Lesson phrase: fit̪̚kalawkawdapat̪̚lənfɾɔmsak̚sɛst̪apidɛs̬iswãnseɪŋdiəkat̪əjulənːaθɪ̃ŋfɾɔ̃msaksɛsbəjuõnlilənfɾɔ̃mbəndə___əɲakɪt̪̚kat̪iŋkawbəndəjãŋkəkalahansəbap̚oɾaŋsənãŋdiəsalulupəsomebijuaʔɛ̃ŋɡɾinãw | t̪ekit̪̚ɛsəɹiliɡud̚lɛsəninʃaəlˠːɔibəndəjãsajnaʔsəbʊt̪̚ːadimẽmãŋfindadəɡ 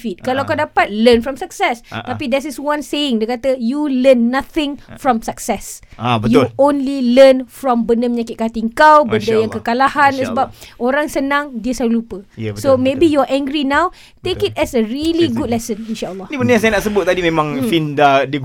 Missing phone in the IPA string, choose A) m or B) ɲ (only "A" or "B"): A